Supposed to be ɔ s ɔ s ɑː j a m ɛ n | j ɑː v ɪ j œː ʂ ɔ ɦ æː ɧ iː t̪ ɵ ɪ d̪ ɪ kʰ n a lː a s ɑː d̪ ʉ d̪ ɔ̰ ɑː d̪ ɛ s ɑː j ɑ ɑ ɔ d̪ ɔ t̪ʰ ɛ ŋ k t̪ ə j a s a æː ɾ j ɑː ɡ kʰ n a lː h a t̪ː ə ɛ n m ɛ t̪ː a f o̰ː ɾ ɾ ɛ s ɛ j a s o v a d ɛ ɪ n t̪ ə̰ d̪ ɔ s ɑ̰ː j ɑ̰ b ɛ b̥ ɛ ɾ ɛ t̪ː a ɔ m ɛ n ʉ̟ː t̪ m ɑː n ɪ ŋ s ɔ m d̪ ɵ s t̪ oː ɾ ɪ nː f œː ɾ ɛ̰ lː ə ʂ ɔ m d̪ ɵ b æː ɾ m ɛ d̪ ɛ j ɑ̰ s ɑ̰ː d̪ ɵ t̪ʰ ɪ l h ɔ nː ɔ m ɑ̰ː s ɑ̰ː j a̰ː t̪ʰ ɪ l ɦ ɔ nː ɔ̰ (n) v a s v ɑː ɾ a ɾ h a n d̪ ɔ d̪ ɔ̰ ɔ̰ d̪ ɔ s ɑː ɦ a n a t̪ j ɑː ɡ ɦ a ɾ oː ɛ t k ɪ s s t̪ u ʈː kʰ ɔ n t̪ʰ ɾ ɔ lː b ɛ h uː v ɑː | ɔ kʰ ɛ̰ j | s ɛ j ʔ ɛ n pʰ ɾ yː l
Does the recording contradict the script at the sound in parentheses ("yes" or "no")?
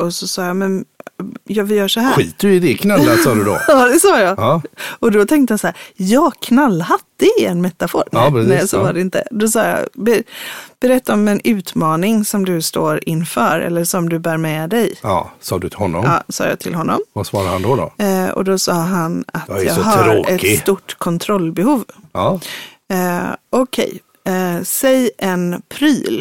yes